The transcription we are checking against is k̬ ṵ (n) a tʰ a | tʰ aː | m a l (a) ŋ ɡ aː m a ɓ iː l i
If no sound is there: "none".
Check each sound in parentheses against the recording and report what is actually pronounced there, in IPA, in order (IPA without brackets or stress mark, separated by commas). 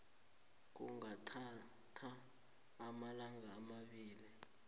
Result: ŋ, a